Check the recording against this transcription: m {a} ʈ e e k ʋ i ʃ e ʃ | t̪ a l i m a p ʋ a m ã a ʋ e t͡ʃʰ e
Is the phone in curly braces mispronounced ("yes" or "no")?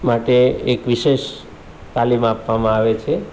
no